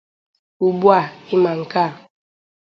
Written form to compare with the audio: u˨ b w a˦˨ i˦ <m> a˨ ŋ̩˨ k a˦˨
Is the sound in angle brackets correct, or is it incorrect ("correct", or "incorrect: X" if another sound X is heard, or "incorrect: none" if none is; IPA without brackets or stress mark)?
correct